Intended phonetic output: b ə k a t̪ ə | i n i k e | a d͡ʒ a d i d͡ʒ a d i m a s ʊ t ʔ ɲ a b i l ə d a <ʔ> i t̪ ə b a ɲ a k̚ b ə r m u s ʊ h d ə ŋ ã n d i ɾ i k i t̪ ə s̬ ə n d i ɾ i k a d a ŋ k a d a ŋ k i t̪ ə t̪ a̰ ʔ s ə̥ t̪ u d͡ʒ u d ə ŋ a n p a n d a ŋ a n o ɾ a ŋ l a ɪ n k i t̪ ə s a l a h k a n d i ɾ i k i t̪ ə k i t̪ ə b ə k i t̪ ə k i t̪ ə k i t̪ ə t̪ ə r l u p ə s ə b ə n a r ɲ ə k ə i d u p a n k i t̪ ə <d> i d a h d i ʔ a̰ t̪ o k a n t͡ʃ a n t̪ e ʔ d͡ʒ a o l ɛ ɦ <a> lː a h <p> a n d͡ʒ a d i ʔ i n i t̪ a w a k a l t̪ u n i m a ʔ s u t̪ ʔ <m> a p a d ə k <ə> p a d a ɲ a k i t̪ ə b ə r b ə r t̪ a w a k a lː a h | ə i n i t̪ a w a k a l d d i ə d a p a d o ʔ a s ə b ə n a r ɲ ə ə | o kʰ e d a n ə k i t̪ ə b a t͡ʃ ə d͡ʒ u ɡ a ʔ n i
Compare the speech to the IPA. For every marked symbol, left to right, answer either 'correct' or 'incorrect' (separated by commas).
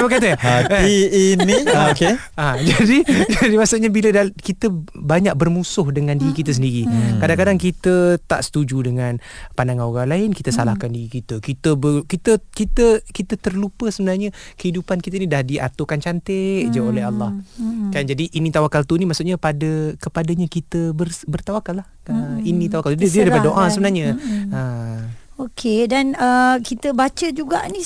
incorrect, incorrect, correct, incorrect, incorrect, correct